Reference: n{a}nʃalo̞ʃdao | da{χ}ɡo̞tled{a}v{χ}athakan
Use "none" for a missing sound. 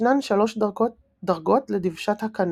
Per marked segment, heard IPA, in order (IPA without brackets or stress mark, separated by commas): a, ʁ, i, ʃ